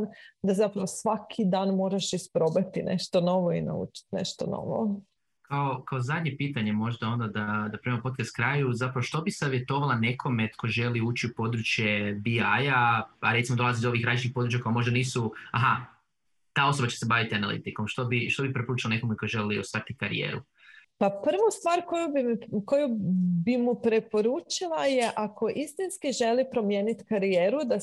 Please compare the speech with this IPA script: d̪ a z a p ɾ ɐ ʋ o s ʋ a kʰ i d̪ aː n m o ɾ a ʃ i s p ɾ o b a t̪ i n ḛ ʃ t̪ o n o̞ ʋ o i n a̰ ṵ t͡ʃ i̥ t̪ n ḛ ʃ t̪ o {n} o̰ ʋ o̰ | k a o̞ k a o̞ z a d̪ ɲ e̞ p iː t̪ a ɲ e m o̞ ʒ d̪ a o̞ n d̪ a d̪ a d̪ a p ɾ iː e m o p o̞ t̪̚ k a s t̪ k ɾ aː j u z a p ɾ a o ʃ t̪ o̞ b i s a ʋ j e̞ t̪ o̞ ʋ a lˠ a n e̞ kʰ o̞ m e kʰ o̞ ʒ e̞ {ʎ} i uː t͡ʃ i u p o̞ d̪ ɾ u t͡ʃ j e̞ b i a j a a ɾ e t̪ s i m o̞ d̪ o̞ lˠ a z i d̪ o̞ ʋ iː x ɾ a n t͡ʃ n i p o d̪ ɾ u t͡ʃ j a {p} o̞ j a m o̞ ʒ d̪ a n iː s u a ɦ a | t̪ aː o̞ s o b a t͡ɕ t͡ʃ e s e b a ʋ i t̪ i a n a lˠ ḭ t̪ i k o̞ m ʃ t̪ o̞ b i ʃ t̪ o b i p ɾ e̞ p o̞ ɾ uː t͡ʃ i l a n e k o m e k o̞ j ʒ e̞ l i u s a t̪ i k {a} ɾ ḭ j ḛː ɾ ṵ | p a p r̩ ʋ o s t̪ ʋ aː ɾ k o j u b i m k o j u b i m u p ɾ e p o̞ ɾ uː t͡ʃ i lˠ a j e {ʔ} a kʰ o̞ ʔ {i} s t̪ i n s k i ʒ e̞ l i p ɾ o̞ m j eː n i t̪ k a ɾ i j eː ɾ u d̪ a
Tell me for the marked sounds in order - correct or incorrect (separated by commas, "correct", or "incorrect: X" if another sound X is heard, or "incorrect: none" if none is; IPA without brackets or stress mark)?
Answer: correct, incorrect: l, incorrect: k, correct, correct, correct